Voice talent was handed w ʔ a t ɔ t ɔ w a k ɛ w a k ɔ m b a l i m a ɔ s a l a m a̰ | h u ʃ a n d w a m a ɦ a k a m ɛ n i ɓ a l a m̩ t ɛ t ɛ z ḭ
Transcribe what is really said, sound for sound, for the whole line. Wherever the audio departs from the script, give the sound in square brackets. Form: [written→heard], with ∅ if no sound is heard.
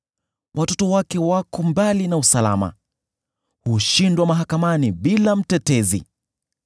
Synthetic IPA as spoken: w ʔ a t ɔ t ɔ w a k ɛ w a k ɔ m b a l i [m→n] a [ɔ→u] s a l a m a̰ | h u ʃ [a→i] n d w a m a ɦ a k a m [ɛ→a] n i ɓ [a→i] l a m̩ t ɛ t ɛ z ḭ